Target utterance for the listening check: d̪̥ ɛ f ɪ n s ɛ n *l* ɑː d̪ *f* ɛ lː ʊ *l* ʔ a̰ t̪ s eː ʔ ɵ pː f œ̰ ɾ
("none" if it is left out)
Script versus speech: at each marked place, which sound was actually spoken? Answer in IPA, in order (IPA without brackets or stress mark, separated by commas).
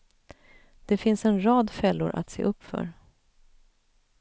ɾ, f, ɾ